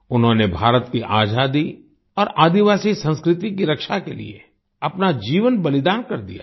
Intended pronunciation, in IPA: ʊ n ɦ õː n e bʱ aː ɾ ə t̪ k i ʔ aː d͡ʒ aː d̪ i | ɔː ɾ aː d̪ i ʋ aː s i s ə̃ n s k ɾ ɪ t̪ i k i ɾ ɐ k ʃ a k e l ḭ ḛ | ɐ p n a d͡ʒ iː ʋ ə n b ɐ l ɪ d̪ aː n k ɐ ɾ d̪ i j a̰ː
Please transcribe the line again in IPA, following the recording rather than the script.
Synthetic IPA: ʊ n ɦ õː n e bʱ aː ɾ ə t̪ k i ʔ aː d͡ʒ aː d̪ i | ɔː ɾ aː d̪ i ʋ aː s i s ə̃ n s k ɾ ɪ t̪ i k i ɾ ɐ k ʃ a k e l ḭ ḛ | ɐ p n a d͡ʒ iː ʋ ə n b ɐ l ɪ d̪ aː n k ɐ ɾ d̪ i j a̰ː